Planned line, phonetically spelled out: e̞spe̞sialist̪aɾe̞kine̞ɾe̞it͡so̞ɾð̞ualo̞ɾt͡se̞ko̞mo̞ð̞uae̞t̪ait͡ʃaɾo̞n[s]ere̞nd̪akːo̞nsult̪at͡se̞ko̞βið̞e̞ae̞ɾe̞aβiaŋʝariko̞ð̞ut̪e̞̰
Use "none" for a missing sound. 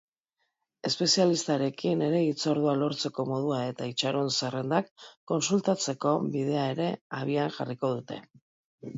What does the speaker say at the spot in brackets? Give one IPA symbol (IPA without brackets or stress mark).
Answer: s